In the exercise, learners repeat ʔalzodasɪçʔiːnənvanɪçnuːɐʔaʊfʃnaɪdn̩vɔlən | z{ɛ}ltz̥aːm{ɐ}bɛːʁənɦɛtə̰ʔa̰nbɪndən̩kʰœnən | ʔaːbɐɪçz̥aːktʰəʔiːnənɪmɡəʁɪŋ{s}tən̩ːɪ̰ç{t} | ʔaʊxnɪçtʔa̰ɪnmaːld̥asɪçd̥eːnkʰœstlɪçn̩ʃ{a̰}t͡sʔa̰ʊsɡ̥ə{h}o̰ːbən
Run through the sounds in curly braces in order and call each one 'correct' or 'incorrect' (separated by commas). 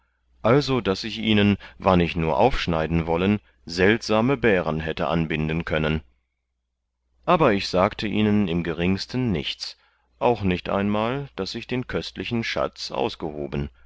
correct, incorrect, correct, incorrect, correct, correct